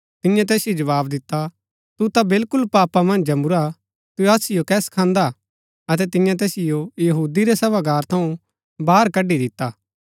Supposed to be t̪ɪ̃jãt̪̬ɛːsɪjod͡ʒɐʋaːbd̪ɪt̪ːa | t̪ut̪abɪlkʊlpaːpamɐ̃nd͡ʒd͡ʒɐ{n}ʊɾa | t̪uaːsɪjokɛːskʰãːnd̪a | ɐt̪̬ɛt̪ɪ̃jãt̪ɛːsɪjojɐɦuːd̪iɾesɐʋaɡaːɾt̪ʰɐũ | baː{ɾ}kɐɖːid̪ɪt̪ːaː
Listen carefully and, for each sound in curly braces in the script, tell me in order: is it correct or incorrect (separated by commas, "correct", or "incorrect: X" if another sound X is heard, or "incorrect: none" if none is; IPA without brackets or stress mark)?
incorrect: m, correct